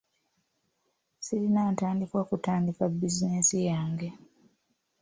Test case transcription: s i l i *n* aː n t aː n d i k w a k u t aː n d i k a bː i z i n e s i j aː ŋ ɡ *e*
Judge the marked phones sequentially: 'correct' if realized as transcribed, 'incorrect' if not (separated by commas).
correct, correct